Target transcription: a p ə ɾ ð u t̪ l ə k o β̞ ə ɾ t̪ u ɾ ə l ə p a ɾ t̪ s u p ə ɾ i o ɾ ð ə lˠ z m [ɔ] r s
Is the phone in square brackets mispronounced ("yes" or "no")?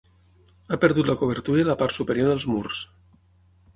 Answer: yes